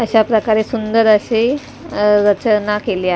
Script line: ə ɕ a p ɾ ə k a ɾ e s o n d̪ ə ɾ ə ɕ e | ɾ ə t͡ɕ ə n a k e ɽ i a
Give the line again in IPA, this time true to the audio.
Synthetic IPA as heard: ə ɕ a p ɾ ə k a ɾ e s u n d̪ ə ɾ ə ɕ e | ɾ ə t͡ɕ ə n a k e l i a